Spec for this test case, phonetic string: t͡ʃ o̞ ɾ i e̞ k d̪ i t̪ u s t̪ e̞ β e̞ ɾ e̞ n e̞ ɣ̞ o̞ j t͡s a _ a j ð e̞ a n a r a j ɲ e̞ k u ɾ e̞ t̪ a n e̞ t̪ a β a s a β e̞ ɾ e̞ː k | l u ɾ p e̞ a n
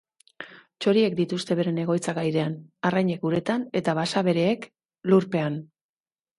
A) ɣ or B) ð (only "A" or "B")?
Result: A